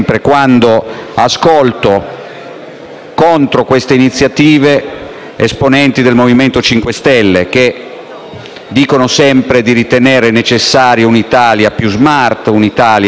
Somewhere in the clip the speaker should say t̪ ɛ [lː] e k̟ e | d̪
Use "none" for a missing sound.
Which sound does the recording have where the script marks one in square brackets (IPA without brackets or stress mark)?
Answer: lː